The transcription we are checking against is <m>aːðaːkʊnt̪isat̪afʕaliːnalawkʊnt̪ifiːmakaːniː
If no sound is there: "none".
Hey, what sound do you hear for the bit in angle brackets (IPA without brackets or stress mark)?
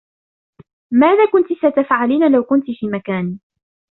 m